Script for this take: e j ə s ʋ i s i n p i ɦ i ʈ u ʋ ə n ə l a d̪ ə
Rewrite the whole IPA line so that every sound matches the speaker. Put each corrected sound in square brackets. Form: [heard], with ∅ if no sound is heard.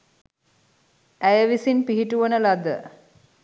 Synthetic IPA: [æ] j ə [∅] ʋ i s i n p i ɦ i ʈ u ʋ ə n ə l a d̪ ə